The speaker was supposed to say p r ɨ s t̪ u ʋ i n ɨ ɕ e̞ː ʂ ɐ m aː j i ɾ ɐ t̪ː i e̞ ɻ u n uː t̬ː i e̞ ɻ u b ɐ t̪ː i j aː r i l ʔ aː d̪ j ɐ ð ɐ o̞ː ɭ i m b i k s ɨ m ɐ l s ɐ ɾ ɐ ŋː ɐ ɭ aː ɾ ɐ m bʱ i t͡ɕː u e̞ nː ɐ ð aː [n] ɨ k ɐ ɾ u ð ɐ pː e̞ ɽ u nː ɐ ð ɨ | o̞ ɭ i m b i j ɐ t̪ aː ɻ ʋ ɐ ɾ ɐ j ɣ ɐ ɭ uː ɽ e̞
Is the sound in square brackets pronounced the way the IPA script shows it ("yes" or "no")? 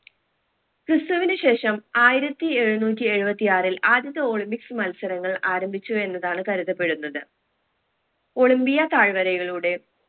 no